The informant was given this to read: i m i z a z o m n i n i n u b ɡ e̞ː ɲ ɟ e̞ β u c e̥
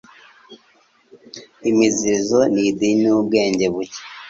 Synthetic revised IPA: i m i z i z o n i d i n u b ɡ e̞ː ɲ ɟ e̞ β u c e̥